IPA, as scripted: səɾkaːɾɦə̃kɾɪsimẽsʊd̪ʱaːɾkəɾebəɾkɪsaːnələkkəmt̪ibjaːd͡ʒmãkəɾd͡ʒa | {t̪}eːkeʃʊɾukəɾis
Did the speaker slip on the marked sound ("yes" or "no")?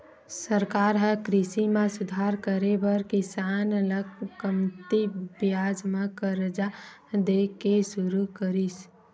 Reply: yes